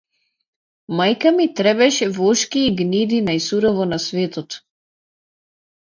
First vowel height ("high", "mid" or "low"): low